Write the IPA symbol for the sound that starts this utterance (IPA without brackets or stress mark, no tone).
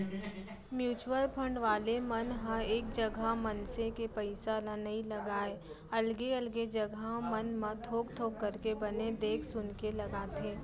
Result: m